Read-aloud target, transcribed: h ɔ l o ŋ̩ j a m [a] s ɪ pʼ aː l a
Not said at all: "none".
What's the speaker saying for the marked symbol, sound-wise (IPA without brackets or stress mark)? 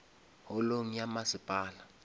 a